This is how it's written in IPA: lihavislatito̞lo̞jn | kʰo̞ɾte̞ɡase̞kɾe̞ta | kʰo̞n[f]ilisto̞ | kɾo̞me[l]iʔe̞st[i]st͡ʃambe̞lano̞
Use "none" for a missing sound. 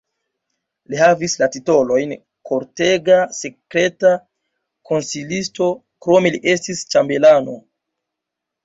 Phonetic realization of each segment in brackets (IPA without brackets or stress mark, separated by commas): s, l, i